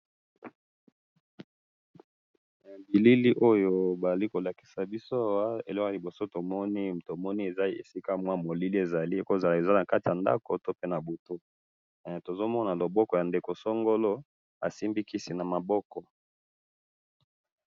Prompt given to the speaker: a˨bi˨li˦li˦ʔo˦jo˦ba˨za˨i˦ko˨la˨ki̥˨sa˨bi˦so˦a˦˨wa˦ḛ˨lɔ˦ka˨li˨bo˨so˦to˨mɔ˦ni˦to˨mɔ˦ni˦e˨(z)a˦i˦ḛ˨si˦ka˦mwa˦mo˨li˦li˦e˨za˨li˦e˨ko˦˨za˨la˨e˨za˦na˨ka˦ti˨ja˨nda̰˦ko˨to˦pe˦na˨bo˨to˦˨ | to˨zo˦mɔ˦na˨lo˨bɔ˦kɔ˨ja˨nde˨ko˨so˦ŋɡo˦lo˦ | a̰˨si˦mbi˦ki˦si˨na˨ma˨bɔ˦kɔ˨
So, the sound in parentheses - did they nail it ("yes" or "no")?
yes